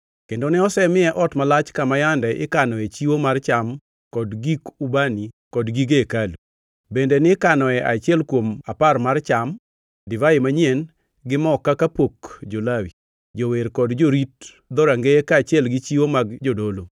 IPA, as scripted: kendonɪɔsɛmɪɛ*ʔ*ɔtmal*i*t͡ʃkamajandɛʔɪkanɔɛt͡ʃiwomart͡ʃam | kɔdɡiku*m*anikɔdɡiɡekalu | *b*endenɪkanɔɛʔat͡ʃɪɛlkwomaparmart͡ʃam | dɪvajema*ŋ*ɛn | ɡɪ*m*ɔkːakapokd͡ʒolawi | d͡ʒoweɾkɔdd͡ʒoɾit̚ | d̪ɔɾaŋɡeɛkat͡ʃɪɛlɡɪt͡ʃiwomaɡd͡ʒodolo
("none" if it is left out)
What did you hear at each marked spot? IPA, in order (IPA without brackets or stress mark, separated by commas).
ʔ, a, b, b, ɲ, m